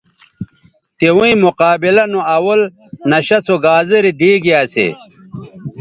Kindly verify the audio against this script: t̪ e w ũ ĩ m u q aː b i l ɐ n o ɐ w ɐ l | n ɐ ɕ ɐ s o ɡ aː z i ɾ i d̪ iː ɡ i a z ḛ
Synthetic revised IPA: t̪ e w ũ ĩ m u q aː b i l ɐ n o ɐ w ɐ l | n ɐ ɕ ɐ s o ɡ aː z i ɾ i d̪ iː ɡ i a s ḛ